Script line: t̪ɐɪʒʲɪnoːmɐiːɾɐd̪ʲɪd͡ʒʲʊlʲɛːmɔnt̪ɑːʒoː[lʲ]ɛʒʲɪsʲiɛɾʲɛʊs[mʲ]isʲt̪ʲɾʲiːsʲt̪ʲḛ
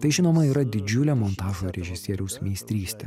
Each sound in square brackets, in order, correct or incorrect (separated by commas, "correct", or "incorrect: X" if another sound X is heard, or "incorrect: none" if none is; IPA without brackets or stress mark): incorrect: ɾʲ, correct